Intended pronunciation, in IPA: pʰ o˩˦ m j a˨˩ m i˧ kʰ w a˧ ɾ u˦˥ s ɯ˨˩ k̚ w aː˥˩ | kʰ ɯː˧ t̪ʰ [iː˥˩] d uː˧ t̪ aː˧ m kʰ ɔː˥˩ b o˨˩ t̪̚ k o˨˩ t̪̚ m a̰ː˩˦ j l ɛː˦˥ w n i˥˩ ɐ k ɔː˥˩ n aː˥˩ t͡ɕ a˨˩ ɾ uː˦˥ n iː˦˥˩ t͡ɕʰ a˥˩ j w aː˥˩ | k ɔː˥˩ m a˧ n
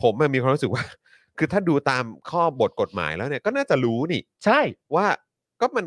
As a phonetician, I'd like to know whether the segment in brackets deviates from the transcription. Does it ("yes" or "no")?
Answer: yes